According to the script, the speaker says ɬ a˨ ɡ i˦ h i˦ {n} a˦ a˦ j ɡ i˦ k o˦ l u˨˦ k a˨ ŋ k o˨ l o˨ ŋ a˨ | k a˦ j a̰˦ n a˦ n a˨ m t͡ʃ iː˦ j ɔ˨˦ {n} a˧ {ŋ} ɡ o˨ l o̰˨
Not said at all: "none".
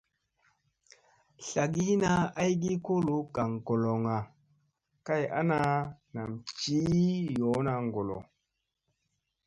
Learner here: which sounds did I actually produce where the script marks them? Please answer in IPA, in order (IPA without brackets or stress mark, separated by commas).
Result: n, n, ŋ